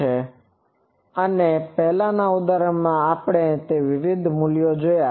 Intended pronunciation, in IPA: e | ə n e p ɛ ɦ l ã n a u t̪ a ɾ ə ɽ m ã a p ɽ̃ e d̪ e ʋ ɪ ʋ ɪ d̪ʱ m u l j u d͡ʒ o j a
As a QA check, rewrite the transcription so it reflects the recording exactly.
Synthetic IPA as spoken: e | ə n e p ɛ ɦ l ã n a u d̪ a ɾ ə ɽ m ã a p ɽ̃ e t̪ e ʋ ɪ ʋ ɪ d̪ʱ m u l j o d͡ʒ o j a

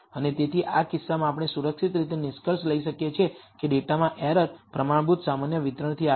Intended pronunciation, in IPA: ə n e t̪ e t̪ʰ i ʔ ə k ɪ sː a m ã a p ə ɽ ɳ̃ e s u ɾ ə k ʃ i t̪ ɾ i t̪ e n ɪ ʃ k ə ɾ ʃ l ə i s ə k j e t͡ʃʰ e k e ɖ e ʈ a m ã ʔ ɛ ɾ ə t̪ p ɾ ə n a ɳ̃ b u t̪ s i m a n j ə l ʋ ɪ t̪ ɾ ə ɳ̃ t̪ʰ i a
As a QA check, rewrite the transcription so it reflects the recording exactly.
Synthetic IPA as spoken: ə n e t̪ e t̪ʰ i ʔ a k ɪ sː a m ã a p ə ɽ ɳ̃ e s u ɾ ə k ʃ i t̪ ɾ i t̪ e n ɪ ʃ k ə ɾ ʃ l ə i ʃ ə k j e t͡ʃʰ e k e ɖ e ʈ a m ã ʔ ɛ ɾ ə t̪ p ɾ ə m a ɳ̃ b u t̪ s a m a n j ə ʋ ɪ t̪ ɾ ə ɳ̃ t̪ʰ i a

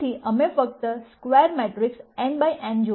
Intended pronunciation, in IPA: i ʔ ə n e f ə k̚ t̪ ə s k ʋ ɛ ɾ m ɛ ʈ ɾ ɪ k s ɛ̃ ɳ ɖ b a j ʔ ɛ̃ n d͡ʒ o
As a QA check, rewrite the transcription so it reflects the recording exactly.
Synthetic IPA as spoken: i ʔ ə m e f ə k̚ t̪ ə s k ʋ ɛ ɾ m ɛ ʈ ɾ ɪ k s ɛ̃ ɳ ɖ b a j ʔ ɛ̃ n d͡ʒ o

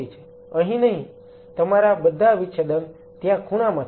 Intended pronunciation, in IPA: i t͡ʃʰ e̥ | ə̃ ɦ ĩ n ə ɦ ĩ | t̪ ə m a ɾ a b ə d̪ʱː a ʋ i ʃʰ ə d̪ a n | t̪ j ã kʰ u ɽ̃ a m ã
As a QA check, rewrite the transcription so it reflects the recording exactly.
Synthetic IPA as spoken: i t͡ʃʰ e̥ | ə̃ ɦ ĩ n ə ɦ ĩ | t̪ ə m a ɾ a b ə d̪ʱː a ʋ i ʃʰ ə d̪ ə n | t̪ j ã kʰ u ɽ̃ a m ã

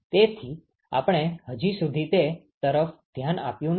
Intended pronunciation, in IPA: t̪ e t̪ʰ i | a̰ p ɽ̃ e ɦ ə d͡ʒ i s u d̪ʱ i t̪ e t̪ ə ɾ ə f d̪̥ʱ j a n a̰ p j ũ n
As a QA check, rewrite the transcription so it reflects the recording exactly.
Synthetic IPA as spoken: t̪ e t̪ʰ i | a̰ p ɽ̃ e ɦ ə d͡ʒ i s u d̪ʱ i t̪ e t̪ ə ɾ ə f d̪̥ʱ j a n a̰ p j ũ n

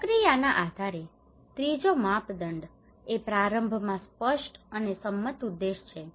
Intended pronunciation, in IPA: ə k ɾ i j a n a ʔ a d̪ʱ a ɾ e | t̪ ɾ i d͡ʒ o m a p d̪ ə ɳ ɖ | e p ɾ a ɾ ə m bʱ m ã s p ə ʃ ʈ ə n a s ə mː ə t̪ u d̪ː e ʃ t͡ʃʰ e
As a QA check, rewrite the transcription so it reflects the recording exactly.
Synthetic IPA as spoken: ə k ɾ i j a n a ʔ a d̪ʱ a ɾ e | t̪ ɾ i d͡ʒ o m a p d̪ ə ɳ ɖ | e p ɾ a ɾ ə m bʱ m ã s p ə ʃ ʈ ə n e s ə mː ə t̪ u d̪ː e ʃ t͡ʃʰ e

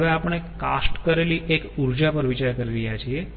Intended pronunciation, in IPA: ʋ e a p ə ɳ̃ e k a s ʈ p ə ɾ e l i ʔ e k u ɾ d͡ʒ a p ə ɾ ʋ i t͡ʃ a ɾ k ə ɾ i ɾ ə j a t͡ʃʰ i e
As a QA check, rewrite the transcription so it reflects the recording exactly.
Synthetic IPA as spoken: ʋ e a p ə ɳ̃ e k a s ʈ k ə ɾ e l i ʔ e k u ɾ d͡ʒ a p ə ɾ ʋ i t͡ʃ a ɾ k ə ɾ i ɾ ə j a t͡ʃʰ i e

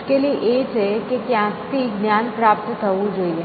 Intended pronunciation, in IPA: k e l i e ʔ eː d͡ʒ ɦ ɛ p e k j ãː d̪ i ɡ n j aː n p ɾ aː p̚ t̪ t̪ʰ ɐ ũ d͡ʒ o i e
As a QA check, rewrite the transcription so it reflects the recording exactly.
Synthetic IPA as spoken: k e l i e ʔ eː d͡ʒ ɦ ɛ k e k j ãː t̪ i ɡ n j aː n p ɾ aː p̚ t̪ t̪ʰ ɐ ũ d͡ʒ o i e

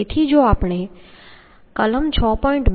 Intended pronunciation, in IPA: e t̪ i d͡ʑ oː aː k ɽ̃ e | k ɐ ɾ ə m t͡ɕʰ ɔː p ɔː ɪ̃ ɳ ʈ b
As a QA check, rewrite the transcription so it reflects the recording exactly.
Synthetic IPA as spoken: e t̪ʰ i d͡ʑ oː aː p ɽ̃ e | k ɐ l ə m t͡ɕʰ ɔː p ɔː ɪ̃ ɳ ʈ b

